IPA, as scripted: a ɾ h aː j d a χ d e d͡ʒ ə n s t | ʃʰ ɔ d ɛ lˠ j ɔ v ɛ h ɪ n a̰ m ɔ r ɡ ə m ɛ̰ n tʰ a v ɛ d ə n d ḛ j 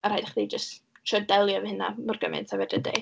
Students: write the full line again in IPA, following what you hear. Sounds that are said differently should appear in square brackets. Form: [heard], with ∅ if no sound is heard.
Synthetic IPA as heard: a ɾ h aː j d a χ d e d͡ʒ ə [∅] s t | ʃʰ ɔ d ɛ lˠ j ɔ v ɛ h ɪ n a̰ m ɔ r ɡ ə m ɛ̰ n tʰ a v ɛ d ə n d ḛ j